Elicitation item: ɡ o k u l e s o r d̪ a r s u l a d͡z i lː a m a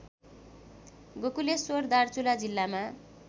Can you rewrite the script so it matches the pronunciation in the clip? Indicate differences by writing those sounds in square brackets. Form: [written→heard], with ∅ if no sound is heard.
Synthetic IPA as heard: ɡ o k u l e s o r d̪ a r [s→t͡s] u l a d͡z i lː a m a